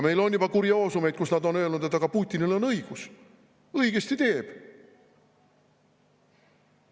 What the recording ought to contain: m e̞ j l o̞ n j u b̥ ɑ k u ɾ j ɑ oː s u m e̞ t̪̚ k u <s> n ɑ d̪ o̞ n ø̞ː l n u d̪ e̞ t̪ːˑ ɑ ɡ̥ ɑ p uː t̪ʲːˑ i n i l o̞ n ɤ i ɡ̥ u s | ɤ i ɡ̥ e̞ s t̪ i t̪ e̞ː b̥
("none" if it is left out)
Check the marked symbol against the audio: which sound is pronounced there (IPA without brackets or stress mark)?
s